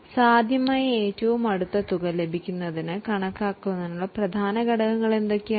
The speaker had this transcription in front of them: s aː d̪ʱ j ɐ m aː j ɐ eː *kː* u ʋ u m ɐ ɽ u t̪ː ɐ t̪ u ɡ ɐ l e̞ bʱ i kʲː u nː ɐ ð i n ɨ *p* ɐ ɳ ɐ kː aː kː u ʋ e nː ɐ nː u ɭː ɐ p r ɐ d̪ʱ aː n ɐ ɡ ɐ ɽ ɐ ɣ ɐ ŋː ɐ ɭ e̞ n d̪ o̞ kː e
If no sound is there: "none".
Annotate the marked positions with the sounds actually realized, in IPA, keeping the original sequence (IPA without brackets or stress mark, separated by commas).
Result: tː, k